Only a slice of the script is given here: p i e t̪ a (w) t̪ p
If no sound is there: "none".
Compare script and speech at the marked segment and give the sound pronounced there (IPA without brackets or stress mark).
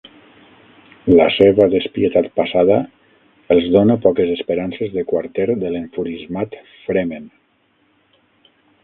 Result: none